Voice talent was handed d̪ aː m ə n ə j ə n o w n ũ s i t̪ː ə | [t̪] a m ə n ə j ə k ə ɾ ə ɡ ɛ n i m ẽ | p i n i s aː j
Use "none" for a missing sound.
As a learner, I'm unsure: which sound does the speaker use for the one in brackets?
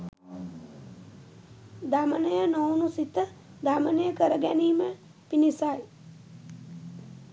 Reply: d̪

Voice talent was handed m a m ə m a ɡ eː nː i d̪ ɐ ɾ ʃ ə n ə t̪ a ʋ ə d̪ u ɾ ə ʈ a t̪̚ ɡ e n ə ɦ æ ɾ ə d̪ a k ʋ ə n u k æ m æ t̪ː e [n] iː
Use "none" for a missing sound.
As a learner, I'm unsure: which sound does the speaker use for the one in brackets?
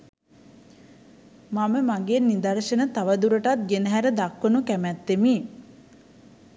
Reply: m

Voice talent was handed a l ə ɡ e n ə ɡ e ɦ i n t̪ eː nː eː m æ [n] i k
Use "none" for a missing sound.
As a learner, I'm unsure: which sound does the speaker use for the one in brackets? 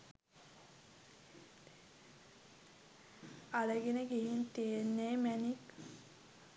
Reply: n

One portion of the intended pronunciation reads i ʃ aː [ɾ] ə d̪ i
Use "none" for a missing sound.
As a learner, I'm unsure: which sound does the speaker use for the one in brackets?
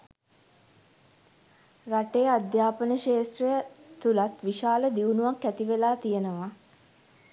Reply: l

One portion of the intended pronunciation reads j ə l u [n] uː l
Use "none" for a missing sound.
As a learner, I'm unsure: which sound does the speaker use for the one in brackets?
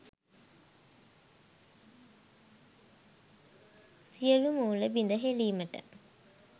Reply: m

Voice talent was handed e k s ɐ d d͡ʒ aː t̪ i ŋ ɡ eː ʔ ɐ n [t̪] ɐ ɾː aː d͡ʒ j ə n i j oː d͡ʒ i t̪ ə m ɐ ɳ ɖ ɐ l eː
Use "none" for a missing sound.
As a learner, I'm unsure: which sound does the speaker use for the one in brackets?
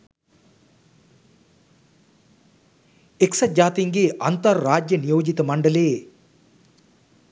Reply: t̪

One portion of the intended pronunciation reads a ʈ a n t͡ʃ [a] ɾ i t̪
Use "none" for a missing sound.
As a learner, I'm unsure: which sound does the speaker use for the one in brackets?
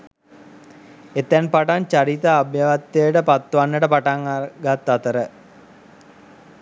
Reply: a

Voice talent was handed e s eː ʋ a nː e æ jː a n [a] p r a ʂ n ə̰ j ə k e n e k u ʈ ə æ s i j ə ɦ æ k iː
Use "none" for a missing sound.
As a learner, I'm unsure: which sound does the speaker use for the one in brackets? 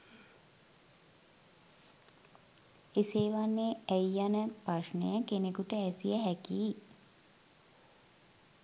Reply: ə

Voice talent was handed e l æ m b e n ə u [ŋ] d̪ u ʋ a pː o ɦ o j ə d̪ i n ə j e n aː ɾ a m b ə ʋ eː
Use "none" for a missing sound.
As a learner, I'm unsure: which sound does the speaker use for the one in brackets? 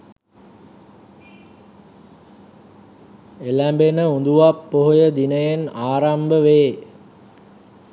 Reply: n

